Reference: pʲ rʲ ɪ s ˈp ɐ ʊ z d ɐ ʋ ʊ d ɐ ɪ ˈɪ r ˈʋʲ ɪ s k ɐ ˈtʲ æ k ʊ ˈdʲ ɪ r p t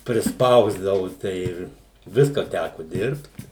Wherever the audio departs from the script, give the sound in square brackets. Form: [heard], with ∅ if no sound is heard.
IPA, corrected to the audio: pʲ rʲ ɪ s ˈp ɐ ʊ z d ɐ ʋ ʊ [t] ɐ ɪ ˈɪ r ˈʋʲ ɪ s k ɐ ˈtʲ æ k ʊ ˈdʲ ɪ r p t